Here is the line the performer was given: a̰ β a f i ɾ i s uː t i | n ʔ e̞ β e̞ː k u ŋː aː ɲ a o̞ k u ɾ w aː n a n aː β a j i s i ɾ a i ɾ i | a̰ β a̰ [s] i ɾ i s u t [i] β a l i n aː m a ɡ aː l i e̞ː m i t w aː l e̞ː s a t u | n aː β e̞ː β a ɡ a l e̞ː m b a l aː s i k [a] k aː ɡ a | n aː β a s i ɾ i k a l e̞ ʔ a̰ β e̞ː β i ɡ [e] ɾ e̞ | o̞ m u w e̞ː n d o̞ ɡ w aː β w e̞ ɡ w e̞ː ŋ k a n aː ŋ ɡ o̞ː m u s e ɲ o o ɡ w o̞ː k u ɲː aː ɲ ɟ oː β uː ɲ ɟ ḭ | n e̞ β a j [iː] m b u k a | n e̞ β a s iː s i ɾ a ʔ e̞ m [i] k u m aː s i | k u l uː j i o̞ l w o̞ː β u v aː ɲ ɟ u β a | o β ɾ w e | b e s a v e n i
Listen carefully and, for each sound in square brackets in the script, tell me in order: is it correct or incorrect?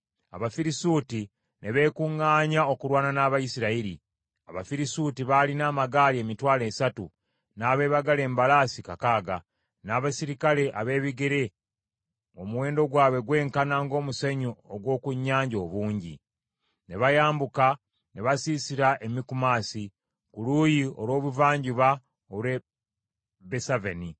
incorrect, correct, correct, correct, incorrect, correct

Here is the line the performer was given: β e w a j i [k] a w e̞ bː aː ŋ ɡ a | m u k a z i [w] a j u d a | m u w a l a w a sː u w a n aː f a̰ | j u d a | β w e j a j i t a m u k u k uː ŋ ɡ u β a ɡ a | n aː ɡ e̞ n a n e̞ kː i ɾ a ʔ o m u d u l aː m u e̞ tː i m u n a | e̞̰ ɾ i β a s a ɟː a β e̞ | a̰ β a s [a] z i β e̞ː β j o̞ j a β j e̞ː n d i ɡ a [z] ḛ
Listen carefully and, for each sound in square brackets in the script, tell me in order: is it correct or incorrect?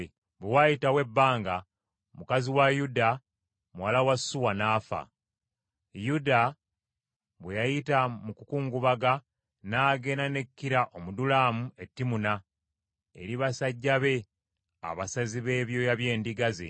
incorrect, correct, correct, correct

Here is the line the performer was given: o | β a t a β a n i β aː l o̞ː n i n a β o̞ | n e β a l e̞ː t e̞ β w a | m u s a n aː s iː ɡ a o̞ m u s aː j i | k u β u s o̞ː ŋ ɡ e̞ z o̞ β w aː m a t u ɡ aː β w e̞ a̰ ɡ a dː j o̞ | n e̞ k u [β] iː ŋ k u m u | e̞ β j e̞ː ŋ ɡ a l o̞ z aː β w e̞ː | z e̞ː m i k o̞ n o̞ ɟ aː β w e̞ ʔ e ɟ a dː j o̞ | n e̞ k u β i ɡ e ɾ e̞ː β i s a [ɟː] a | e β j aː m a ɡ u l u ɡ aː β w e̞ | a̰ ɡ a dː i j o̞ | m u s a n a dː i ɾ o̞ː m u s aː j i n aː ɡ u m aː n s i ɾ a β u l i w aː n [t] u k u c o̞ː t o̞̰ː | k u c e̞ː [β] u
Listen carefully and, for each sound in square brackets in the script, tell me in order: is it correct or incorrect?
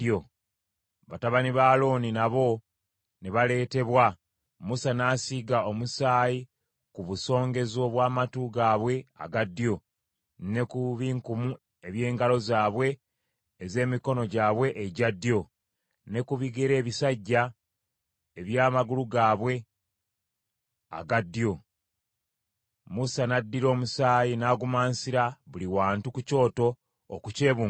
correct, correct, correct, correct

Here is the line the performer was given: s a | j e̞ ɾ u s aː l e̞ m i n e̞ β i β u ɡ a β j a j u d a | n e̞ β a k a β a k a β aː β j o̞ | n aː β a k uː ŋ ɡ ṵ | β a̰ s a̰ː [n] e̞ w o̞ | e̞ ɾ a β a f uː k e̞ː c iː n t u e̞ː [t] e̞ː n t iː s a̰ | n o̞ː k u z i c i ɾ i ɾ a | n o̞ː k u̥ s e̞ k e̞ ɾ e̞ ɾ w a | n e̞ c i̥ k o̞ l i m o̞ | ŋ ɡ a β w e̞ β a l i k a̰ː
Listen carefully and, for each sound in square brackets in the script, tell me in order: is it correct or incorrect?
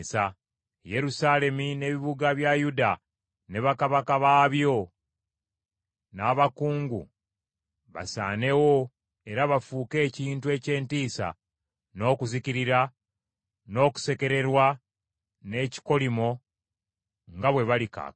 correct, incorrect

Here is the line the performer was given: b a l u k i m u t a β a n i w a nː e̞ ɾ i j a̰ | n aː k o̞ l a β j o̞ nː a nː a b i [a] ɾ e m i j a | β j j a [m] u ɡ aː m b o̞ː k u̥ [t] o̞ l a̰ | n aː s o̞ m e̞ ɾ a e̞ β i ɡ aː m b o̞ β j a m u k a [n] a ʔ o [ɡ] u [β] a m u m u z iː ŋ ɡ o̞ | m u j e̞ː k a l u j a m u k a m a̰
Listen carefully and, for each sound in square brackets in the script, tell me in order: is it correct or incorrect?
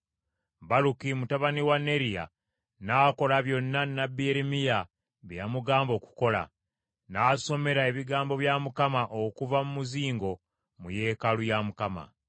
incorrect, correct, incorrect, incorrect, incorrect, incorrect

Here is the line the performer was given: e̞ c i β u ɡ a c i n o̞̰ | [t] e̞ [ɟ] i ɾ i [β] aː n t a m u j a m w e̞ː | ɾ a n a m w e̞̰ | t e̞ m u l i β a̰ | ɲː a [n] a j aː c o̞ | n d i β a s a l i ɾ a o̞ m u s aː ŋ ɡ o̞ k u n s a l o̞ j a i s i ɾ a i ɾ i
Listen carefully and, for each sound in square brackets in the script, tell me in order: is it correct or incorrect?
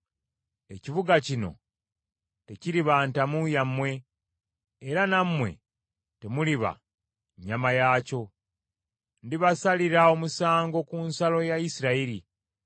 correct, incorrect, correct, incorrect

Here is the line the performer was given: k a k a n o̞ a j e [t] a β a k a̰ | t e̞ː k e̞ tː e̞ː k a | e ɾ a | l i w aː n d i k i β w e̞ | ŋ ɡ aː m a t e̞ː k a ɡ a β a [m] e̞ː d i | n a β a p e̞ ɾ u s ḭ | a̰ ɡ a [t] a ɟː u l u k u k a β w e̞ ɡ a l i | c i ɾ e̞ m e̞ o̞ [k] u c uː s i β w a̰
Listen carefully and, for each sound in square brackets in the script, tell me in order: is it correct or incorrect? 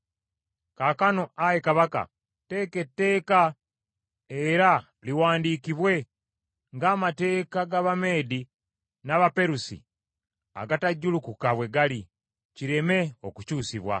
incorrect, correct, correct, correct

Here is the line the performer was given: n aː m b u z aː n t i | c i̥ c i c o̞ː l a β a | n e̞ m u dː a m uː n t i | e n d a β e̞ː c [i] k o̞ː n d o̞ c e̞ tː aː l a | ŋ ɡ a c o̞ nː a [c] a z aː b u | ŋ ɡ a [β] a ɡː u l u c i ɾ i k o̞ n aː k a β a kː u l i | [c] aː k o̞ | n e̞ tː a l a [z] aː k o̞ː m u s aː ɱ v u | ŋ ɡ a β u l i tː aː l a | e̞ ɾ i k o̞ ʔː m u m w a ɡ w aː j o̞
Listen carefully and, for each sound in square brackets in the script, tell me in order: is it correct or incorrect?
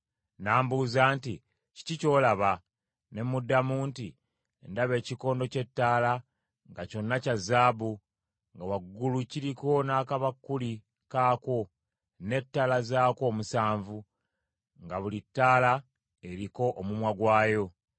correct, correct, incorrect, incorrect, correct

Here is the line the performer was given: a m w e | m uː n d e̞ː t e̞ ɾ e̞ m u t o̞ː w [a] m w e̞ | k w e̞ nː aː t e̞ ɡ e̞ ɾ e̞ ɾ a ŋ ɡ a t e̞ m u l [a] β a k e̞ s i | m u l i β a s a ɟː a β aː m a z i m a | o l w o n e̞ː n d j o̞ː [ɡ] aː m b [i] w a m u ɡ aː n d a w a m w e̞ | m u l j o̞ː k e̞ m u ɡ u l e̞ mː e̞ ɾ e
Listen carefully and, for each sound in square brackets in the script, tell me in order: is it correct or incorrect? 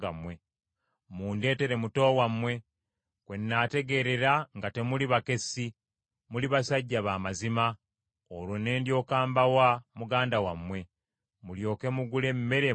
correct, incorrect, incorrect, incorrect

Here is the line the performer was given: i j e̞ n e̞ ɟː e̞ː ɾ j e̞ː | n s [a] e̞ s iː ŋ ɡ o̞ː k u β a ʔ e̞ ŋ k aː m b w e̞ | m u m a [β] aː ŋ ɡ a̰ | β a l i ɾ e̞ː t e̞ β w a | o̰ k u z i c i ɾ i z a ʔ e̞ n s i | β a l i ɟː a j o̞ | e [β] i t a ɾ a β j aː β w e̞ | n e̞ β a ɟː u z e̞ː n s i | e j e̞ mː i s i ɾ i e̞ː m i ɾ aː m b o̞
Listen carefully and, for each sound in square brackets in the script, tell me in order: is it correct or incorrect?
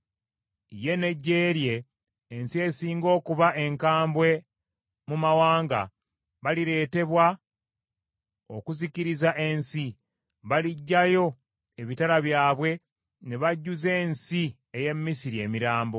incorrect, incorrect, correct

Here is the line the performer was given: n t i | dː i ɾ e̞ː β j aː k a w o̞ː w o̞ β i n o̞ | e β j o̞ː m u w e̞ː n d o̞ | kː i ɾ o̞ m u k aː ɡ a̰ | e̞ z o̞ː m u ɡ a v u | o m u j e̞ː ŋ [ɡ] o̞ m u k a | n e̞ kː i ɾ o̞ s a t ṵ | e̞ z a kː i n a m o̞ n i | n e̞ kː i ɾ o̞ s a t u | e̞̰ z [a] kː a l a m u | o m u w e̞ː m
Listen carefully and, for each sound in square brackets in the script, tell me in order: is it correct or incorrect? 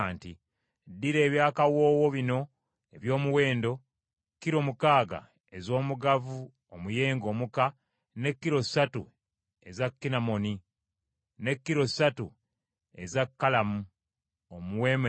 correct, correct

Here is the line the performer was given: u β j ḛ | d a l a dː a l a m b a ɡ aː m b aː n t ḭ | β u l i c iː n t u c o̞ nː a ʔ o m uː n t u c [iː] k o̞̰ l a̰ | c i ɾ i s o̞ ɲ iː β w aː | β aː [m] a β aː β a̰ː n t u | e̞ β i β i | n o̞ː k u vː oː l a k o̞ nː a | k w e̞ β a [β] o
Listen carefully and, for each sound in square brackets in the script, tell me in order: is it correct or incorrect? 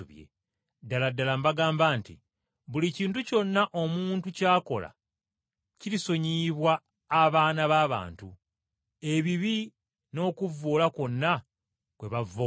incorrect, incorrect, incorrect

